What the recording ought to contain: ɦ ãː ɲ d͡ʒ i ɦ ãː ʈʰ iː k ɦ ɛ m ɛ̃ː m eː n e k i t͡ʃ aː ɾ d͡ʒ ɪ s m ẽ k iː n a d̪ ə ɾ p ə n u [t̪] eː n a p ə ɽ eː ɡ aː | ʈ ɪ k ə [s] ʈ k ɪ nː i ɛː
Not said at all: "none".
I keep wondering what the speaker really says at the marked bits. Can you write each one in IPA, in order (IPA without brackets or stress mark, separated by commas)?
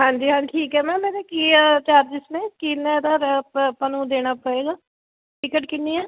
d̪, none